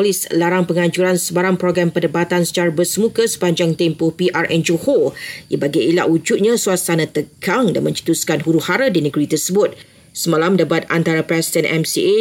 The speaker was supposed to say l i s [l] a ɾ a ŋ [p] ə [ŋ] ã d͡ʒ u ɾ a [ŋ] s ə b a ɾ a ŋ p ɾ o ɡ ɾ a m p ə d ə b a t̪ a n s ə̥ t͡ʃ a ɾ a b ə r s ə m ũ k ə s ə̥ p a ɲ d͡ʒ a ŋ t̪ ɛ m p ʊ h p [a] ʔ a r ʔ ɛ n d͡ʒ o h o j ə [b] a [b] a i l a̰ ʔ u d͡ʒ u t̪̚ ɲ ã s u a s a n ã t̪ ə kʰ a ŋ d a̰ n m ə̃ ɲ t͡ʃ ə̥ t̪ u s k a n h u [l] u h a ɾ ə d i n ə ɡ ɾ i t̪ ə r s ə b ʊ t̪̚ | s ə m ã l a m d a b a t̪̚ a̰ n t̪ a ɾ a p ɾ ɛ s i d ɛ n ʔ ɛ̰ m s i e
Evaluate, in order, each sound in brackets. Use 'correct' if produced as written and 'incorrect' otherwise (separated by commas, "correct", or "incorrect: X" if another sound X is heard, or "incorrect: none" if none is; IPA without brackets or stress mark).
correct, correct, correct, incorrect: n, incorrect: i, correct, incorrect: ɡ, incorrect: ɾ